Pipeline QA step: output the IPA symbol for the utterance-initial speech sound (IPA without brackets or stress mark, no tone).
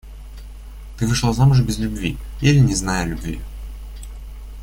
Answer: t̪